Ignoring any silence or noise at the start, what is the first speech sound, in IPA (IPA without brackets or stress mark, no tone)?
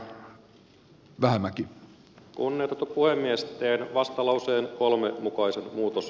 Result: ʋ